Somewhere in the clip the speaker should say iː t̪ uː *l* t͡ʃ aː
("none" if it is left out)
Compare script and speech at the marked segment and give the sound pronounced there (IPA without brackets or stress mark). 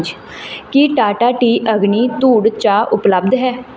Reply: ɽ